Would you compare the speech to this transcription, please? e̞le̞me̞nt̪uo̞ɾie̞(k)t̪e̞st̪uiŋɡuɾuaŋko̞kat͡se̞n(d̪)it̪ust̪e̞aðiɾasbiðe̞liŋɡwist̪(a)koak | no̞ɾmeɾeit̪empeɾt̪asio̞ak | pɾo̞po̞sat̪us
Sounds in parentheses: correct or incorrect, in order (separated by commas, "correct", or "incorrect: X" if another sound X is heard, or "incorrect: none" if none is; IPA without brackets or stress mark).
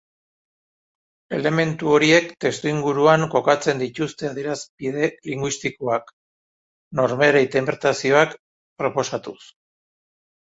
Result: correct, correct, incorrect: i